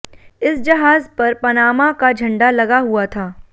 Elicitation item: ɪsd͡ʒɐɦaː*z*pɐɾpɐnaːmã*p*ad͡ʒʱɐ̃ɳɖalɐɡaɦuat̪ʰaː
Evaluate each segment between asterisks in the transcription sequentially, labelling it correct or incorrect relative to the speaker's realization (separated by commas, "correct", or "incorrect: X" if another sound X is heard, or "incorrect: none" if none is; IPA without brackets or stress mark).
correct, incorrect: k